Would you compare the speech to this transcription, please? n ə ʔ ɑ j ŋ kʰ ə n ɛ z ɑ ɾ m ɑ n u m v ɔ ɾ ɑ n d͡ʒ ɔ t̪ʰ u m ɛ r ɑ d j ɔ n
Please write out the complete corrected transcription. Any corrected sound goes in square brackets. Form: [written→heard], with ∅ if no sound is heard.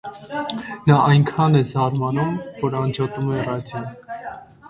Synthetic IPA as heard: n [ə→ɑ] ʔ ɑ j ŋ kʰ [ə→ɑ] n ɛ z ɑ ɾ m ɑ n u m v ɔ ɾ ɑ n d͡ʒ ɔ [t̪ʰ→t̪] u m ɛ r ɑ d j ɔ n